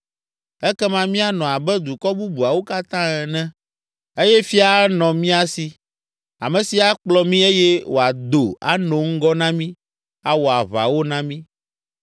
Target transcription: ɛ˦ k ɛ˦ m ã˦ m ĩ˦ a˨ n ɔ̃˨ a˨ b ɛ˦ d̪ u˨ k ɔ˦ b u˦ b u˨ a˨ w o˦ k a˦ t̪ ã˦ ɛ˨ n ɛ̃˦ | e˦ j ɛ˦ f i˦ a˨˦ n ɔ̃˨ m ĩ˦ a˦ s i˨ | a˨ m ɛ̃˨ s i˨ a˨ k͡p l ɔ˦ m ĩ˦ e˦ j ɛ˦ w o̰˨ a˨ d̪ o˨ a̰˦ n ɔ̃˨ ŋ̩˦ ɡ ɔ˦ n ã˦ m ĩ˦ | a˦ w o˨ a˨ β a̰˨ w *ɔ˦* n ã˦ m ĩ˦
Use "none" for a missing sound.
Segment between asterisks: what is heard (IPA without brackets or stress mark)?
o˦